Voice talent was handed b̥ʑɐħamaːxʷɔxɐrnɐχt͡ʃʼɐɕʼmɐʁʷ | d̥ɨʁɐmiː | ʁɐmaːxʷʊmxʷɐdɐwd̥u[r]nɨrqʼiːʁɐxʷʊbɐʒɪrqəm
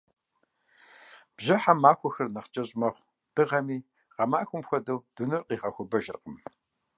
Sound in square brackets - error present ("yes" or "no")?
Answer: yes